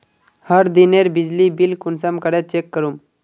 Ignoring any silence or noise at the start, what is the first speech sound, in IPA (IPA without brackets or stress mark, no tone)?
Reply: h